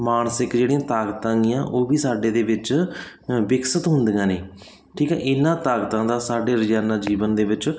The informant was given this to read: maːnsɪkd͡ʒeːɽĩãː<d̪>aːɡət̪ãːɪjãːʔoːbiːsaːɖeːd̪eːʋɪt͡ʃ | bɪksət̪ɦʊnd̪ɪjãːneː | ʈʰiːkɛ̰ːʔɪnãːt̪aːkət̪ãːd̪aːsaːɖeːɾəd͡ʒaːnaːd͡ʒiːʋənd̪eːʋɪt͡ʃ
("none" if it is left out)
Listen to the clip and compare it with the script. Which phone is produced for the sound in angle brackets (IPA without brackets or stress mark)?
t̪